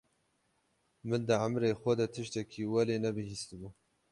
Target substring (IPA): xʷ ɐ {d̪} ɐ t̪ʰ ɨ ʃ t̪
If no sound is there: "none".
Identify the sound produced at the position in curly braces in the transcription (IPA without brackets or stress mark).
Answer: d̪